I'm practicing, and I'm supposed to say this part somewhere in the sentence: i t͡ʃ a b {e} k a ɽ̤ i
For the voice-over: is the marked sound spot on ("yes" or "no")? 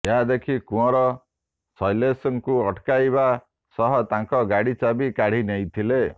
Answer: no